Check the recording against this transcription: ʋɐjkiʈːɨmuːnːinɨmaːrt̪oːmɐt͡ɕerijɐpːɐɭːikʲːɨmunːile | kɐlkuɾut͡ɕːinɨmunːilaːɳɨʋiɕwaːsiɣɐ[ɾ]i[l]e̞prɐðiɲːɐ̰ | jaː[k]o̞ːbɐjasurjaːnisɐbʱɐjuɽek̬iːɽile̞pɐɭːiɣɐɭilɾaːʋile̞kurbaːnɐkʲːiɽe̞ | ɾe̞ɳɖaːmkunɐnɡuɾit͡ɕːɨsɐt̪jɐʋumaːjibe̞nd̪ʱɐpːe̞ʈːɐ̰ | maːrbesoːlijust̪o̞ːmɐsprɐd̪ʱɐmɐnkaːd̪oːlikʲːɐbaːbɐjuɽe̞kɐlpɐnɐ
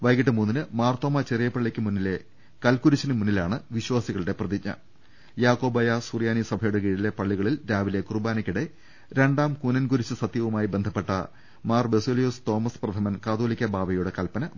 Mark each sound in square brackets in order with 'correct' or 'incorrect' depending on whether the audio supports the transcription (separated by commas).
incorrect, incorrect, correct